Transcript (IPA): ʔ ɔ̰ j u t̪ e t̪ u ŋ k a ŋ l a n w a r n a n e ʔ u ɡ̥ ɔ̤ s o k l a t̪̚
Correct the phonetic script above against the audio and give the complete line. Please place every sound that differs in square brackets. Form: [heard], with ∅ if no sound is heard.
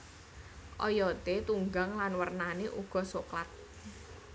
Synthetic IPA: ʔ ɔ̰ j [ɔ] t̪ e t̪ u ŋ [ɡ] a ŋ l a n w [ə] r n a n e ʔ u ɡ̥ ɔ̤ s o k l a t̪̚